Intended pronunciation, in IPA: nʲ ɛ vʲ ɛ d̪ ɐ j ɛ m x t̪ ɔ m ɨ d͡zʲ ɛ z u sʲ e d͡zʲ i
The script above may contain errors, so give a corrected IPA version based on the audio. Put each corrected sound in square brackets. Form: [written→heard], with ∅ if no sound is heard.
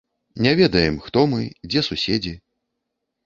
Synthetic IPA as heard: nʲ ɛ vʲ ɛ d̪ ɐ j ɛ m x t̪ ɔ m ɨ d͡zʲ ɛ [z→s] u sʲ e d͡zʲ i